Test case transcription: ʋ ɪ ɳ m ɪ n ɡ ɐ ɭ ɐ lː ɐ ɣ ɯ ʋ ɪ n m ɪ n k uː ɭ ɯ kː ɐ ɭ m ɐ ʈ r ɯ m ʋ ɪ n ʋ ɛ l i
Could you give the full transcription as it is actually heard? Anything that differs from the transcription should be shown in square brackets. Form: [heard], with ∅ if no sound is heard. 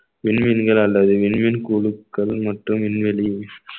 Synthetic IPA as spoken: ʋ ɪ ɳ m ɪ n ɡ ɐ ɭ ɐ lː ɐ [ð] ɯ ʋ ɪ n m ɪ n k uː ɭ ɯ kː ɐ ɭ m ɐ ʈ r ɯ m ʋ ɪ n ʋ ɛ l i